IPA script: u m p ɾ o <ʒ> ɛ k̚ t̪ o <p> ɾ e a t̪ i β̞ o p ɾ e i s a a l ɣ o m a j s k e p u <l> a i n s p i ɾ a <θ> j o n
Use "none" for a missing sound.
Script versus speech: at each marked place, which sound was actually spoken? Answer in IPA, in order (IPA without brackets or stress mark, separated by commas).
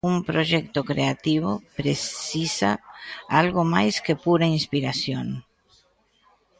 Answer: ʒ, k, ɾ, s